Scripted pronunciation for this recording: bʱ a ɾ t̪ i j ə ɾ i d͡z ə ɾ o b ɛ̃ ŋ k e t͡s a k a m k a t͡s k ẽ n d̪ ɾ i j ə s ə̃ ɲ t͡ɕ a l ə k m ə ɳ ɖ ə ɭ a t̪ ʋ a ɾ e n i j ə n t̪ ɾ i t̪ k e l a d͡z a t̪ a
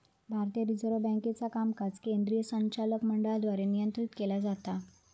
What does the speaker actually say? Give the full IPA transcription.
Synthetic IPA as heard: bʱ a ɾ t̪ i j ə ɾ i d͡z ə ɾ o b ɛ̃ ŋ k e t͡s a k a m k a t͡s k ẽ n d̪ ɾ i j ə s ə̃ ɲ t͡ɕ a l ə k m ə ɳ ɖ ə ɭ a d̪ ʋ a ɾ e n i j ə n t̪ ɾ i t̪ k e l a d͡z a t̪ a